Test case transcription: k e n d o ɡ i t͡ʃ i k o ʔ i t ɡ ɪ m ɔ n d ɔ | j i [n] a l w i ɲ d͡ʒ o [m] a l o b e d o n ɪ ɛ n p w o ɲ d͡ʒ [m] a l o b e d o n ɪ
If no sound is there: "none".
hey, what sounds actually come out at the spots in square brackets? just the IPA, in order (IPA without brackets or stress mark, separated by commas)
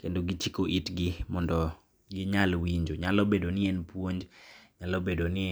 ɲ, ɲ, ɲ